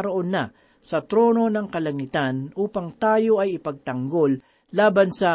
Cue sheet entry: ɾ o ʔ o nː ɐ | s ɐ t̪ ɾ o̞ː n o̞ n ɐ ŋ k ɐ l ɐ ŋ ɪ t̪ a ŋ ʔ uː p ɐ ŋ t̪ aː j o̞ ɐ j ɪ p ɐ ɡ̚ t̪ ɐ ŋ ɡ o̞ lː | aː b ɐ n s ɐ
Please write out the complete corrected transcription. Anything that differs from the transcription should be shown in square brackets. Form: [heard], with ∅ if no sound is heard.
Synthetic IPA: ɾ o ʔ o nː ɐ | s ɐ t̪ ɾ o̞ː n o̞ n ɐ ŋ k ɐ l ɐ ŋ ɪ t̪ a [n] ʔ uː p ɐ ŋ t̪ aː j o̞ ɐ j ɪ p ɐ ɡ̚ t̪ ɐ ŋ ɡ o̞ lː | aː b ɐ n s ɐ